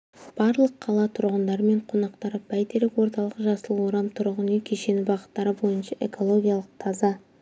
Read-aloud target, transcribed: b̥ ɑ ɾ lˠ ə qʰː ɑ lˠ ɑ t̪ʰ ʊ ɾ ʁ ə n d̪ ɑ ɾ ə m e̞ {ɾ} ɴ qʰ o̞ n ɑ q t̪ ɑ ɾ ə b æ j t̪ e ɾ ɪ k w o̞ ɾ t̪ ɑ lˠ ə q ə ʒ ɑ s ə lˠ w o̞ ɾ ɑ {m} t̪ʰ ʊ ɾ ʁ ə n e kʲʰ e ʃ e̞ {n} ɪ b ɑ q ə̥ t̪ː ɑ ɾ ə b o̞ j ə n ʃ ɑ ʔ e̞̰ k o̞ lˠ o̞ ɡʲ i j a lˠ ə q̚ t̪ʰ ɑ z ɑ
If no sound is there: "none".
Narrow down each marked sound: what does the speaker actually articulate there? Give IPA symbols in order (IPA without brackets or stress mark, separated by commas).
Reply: none, m, n